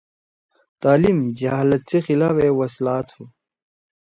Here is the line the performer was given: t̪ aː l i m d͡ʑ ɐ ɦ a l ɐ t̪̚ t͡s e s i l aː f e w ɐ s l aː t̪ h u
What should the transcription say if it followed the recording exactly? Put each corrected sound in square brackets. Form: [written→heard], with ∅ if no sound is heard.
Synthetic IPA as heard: t̪ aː l i m d͡ʑ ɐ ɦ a l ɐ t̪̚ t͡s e [s→x] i l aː f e w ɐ s l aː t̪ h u